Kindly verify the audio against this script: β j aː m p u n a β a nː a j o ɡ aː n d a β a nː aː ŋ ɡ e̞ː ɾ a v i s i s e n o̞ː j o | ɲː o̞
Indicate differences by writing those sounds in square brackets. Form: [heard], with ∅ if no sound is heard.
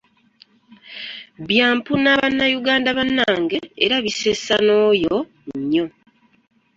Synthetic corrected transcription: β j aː m p u n a β a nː a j [u] ɡ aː n d a β a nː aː ŋ ɡ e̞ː ɾ a [β] i s [e] s [a] n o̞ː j o | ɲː o̞